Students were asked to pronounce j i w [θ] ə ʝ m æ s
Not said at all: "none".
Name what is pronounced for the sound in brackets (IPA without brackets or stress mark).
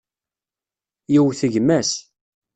θ